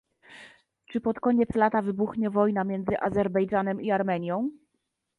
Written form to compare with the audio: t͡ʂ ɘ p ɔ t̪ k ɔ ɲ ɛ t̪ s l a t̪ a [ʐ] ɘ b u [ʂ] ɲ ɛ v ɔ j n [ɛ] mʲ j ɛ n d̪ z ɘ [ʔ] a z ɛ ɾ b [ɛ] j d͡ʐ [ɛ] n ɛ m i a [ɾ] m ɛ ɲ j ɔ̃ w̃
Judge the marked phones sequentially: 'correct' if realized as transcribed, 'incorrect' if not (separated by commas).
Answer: incorrect, incorrect, incorrect, correct, correct, incorrect, correct